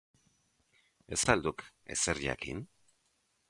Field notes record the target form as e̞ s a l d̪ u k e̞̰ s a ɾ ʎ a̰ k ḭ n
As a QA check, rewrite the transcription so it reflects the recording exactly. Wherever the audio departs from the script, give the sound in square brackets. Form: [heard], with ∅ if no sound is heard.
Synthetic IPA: e̞ s a l d̪ u k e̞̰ s [e] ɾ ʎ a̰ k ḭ n